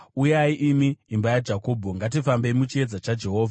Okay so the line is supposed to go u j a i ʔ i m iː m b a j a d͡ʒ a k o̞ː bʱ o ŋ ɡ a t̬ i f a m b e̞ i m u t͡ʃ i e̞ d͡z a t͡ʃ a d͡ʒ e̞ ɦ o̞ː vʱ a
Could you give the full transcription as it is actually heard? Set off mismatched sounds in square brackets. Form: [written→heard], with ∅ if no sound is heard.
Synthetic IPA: u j a i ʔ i m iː m b a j a d͡ʒ a k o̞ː bʱ o ŋ ɡ a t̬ i f a m b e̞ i m u t͡ʃ i e̞ d͡z a t͡ʃ a d͡ʒ e̞ ɦ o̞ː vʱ a